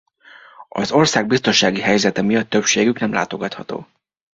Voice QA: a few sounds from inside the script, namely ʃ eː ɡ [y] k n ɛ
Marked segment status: correct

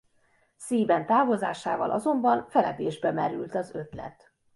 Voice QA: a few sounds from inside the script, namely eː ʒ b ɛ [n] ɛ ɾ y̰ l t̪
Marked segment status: incorrect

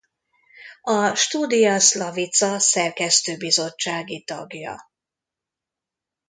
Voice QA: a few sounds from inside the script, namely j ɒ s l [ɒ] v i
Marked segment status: correct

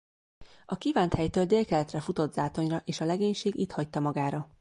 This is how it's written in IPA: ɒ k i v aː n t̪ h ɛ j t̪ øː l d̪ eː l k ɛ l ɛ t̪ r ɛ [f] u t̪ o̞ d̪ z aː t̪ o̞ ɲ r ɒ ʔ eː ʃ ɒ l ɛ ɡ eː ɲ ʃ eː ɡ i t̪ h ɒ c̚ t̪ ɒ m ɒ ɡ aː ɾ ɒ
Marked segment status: correct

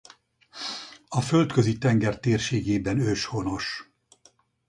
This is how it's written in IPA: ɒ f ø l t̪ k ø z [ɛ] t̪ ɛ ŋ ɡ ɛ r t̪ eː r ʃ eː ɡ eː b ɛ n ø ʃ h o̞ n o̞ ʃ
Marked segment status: incorrect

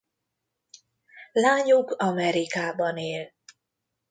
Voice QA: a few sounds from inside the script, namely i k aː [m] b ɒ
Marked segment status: incorrect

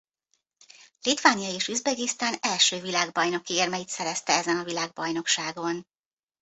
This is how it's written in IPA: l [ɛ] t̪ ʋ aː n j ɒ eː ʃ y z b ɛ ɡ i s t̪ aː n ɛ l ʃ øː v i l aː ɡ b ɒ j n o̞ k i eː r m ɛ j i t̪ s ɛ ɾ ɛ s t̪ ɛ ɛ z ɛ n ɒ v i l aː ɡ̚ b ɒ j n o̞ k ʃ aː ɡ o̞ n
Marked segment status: incorrect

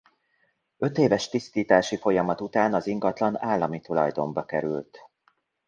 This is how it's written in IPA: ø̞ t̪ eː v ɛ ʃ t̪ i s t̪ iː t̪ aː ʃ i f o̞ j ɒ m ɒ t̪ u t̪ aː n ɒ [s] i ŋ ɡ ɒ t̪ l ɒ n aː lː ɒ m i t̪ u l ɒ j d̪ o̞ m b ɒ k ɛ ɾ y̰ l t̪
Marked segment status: incorrect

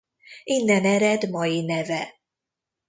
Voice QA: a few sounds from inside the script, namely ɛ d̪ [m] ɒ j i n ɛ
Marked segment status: correct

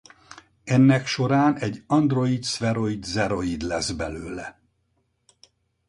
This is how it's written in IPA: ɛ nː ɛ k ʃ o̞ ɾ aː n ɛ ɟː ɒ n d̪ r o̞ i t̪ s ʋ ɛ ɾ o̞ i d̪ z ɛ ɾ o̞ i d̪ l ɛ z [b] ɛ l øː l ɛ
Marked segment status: correct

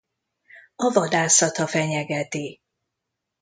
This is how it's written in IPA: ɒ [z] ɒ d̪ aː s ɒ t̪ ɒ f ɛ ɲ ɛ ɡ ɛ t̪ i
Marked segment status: incorrect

